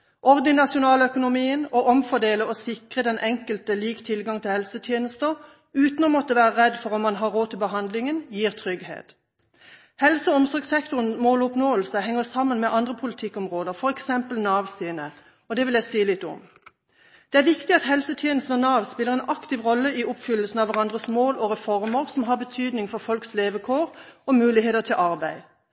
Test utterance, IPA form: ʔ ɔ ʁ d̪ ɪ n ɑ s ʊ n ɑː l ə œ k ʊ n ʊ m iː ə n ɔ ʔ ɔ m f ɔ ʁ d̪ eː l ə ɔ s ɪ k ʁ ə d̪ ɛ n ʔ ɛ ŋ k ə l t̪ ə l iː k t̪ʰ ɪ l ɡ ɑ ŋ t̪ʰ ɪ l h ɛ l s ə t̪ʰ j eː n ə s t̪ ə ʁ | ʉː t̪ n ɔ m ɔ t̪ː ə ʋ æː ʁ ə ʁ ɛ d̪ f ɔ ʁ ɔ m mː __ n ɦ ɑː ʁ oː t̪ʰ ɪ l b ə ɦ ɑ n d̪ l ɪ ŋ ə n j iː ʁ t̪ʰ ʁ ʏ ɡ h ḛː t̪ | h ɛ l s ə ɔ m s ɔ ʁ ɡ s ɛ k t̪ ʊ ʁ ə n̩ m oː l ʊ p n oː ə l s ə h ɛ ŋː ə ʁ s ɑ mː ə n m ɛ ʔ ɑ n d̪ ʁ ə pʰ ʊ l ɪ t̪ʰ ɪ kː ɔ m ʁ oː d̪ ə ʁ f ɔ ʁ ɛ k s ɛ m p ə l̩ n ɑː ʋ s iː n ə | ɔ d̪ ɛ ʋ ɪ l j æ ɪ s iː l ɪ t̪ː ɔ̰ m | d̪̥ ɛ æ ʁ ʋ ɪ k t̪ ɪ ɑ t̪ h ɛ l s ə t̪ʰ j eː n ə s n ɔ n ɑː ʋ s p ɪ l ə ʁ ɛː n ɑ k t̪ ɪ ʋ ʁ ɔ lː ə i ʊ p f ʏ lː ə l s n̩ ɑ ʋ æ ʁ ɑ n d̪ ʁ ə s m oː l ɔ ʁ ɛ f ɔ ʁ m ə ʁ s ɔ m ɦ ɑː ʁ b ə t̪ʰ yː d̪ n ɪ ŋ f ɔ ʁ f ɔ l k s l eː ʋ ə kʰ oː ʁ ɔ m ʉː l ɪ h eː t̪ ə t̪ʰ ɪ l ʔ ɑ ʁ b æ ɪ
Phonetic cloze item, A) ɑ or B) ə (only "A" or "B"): A